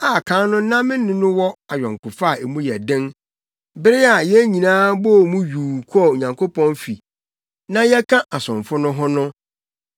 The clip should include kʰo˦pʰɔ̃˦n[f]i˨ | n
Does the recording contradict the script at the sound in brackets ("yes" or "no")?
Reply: no